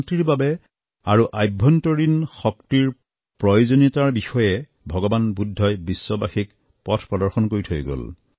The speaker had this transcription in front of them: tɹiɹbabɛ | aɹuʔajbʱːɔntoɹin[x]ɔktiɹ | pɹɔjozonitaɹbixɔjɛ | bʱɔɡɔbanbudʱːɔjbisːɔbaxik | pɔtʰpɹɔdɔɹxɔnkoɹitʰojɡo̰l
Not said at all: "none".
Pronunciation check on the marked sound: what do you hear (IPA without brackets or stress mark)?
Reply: x